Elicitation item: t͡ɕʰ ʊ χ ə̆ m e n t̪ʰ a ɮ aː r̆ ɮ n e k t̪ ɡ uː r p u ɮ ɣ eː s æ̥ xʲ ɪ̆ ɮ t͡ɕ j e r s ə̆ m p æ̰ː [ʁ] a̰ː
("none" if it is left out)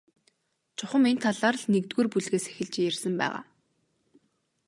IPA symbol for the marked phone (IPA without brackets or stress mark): ʁ